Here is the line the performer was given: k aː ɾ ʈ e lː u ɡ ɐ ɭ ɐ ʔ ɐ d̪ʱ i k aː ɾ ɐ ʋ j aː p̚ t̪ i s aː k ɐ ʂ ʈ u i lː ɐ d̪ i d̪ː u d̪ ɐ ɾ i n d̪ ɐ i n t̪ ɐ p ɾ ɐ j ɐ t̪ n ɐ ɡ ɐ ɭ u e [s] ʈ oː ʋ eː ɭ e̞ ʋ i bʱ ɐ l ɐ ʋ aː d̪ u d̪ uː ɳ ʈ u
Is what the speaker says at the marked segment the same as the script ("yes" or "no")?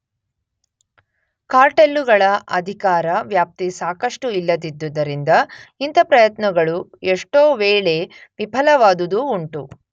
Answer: no